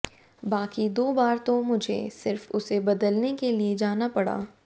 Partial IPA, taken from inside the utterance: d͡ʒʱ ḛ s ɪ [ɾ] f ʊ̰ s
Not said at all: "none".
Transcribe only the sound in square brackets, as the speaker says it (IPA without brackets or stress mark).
ɾ